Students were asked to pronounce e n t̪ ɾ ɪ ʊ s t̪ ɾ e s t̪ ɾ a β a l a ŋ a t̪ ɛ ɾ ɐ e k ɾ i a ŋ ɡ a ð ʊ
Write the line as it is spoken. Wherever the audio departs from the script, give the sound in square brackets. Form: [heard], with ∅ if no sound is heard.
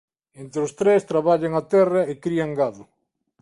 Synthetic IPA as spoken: e n t̪ ɾ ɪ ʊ s t̪ ɾ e s t̪ ɾ a β a [ʎ] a ŋ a t̪ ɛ [r] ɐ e k ɾ i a ŋ ɡ a ð ʊ